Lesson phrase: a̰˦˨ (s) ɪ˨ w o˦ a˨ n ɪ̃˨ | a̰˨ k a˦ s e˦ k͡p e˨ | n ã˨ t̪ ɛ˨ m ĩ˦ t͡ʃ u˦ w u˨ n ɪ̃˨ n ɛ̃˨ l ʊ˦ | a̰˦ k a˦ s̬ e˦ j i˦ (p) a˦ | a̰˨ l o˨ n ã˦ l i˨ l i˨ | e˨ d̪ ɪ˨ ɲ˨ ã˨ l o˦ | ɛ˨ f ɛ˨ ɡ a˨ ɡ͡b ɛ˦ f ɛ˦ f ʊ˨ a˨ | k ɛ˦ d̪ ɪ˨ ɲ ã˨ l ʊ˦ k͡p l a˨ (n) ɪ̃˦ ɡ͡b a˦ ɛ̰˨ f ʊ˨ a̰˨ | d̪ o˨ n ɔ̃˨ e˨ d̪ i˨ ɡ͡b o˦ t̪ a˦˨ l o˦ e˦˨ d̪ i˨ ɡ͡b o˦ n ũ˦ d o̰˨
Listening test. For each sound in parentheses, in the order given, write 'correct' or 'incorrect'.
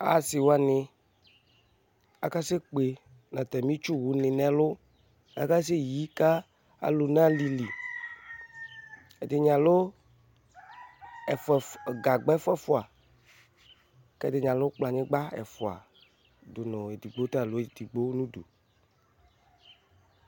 correct, incorrect, incorrect

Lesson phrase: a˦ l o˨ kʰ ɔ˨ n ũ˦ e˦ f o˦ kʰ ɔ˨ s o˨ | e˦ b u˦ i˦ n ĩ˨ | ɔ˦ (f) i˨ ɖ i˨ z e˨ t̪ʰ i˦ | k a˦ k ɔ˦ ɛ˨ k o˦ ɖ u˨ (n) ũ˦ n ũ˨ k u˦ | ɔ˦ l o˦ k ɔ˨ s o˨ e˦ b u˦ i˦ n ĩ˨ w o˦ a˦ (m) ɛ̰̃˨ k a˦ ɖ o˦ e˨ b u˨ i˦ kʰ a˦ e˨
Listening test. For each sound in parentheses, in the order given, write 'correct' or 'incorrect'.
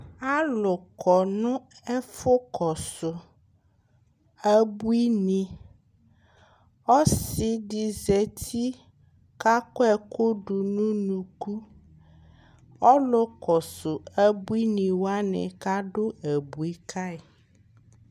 incorrect, correct, incorrect

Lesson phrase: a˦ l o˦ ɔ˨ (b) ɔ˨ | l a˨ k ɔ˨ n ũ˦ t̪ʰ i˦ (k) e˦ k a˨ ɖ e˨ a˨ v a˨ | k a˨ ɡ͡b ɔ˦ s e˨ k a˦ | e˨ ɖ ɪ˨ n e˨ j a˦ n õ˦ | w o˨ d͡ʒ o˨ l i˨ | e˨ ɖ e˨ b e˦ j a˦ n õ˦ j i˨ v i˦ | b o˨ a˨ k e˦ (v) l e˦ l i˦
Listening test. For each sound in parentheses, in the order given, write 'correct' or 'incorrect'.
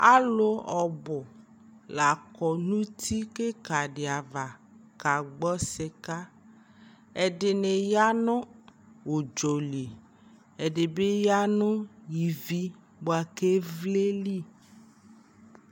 correct, correct, correct

